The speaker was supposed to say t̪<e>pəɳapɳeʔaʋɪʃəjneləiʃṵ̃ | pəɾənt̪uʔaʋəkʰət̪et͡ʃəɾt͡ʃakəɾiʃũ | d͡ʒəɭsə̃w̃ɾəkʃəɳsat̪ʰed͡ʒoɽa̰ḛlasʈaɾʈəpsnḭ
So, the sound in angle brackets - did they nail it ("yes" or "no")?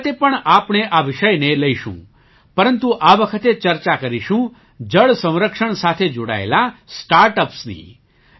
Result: yes